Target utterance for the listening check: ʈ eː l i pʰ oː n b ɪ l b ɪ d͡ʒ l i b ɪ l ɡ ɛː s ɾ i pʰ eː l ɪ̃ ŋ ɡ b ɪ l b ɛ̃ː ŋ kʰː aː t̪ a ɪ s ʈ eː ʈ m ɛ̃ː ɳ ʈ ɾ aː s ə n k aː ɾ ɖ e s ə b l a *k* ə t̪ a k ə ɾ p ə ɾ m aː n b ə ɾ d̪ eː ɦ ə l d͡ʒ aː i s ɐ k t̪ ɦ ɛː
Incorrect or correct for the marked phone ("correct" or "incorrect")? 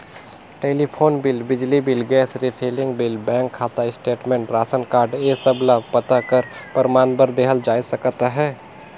incorrect